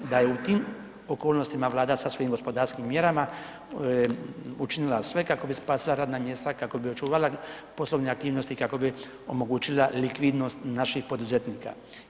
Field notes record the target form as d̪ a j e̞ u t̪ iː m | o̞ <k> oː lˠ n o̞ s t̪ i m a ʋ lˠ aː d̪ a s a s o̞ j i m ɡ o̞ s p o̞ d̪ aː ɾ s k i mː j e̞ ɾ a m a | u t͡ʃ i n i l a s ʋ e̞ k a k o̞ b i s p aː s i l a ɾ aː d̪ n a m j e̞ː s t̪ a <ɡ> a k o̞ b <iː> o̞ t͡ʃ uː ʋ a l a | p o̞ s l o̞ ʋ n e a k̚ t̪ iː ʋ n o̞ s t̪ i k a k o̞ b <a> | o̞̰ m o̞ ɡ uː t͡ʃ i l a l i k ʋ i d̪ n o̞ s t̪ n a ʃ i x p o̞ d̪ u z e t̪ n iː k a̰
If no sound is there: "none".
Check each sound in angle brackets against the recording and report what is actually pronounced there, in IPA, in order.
k, k, i, i

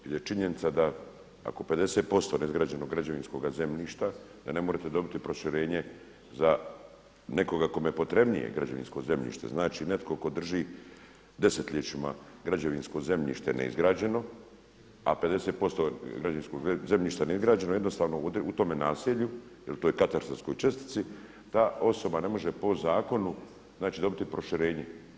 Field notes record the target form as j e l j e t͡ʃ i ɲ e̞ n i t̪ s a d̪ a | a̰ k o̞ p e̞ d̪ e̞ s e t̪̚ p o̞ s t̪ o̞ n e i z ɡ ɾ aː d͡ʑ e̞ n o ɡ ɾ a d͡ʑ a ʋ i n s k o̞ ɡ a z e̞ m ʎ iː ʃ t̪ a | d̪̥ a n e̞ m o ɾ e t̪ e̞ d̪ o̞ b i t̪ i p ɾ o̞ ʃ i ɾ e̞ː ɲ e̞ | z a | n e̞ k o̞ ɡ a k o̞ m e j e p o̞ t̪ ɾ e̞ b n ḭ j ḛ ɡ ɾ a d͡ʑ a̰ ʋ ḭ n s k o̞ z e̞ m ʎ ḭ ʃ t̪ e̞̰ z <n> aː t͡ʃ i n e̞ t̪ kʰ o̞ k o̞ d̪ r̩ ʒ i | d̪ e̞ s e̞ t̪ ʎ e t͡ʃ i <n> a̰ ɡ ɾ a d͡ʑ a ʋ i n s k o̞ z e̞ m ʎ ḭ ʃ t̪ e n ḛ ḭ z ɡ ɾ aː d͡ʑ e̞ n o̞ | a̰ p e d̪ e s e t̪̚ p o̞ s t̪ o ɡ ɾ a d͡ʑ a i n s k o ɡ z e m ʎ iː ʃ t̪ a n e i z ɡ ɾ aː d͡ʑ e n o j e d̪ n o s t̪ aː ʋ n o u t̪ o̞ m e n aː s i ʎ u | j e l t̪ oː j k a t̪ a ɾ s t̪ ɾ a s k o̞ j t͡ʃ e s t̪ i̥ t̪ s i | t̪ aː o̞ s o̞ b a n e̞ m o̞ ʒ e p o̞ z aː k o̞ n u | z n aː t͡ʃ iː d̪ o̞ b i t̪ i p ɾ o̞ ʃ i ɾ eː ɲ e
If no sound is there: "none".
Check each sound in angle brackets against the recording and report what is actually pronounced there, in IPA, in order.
n, m

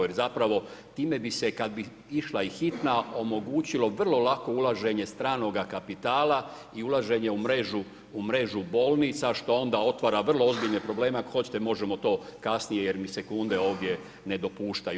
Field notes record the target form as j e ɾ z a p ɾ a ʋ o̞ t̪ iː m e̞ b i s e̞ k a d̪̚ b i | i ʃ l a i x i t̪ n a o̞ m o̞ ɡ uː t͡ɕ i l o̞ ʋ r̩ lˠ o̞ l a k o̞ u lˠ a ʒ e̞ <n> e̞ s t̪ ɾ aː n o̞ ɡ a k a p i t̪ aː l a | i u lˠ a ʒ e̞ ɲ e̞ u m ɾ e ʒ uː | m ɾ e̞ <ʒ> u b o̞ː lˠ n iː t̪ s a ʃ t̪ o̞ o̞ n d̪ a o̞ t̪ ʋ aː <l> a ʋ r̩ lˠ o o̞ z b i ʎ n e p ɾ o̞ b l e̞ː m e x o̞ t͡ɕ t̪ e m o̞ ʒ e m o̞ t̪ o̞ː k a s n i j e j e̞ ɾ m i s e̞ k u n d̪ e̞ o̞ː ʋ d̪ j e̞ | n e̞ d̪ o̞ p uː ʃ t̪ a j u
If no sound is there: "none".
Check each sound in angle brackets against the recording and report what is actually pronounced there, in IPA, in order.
ɲ, ʒ, ɾ

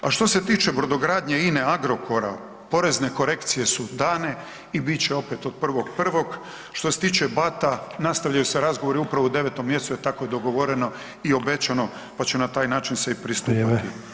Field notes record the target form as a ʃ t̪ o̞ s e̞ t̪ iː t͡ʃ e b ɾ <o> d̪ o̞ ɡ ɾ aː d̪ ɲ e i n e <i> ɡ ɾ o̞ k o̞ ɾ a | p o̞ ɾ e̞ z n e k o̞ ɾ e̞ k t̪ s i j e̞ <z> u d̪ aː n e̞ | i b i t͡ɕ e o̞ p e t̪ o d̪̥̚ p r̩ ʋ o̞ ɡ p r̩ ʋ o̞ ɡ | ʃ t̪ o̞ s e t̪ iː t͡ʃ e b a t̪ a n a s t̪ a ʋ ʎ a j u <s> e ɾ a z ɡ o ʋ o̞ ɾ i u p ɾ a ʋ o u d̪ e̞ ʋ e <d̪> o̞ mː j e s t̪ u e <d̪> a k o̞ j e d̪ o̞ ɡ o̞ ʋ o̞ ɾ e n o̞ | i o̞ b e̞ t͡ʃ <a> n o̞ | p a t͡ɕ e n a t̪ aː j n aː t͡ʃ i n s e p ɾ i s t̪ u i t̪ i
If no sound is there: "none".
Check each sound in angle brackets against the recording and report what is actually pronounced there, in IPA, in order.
o, a, s, s, t̪, t̪, a

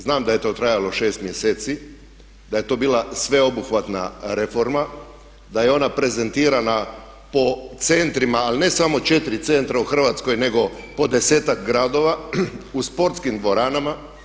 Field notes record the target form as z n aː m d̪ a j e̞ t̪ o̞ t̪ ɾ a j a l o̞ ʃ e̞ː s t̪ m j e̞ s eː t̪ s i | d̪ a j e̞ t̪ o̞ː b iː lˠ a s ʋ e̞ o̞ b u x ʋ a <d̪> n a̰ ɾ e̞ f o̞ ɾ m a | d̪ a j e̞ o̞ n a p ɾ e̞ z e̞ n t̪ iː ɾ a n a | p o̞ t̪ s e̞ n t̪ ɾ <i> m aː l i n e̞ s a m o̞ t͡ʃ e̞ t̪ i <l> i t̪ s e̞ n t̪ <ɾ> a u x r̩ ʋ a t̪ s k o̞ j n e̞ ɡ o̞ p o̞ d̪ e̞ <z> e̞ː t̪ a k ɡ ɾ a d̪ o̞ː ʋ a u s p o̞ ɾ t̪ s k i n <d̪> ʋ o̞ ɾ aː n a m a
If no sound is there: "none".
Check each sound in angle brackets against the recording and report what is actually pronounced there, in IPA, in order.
t̪, i, ɾ, ɾ, s, d̪

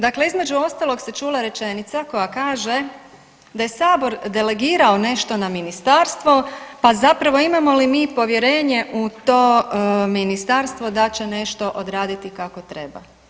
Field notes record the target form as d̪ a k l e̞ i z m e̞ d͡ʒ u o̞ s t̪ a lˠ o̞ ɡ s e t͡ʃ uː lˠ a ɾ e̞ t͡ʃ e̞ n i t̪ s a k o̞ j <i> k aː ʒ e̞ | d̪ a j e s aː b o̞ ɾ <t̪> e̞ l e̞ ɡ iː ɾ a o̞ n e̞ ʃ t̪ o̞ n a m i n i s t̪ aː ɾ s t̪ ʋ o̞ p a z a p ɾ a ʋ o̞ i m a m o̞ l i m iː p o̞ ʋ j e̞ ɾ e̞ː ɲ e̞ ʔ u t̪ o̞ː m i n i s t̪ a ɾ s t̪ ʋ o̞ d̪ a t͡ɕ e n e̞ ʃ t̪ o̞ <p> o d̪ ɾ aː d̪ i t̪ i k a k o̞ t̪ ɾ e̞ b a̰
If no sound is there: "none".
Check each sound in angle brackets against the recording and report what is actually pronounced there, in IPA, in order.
a, d̪, ʔ

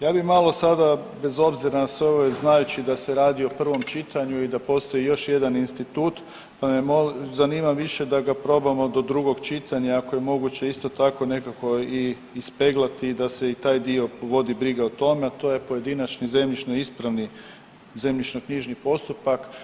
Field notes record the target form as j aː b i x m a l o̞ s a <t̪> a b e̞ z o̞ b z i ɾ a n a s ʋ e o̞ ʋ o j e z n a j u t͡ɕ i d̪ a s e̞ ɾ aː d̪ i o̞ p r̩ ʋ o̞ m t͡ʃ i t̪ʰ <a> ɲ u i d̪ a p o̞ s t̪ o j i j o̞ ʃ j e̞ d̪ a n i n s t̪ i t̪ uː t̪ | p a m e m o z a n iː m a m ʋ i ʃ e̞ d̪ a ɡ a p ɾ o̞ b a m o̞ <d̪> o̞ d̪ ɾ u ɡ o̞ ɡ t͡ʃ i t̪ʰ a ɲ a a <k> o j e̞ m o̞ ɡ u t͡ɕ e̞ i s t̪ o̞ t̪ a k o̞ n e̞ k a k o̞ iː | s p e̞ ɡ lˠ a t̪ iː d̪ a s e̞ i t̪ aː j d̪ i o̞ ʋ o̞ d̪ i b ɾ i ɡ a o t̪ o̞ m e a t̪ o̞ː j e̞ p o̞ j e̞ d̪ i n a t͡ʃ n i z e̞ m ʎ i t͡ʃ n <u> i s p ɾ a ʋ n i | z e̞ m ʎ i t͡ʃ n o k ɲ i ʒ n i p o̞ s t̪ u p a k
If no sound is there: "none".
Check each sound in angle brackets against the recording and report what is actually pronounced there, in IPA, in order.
d̪, a, d̪, k, o

